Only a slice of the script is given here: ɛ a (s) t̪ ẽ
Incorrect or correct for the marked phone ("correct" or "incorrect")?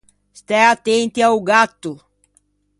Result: incorrect